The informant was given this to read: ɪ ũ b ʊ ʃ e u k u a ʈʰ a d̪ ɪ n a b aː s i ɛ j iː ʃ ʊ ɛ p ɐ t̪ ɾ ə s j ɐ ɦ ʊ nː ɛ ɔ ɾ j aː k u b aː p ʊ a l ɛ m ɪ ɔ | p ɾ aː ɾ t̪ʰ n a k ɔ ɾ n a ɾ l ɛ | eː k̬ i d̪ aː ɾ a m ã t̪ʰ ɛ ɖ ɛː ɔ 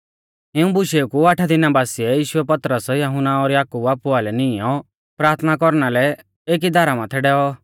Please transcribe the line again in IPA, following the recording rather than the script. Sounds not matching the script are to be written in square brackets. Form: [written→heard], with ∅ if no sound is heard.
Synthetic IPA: ɪ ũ b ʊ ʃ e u k u a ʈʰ a d̪ ɪ n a b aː s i ɛ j iː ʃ ʊ ɛ p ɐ t̪ ɾ ə s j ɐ ɦ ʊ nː [ɛ→a] ɔ ɾ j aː k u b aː p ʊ a l ɛ [m→n] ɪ ɔ | p ɾ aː ɾ t̪ʰ n a k ɔ ɾ n a [ɾ→∅] l ɛ | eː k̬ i d̪ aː ɾ a m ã t̪ʰ ɛ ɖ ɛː ɔ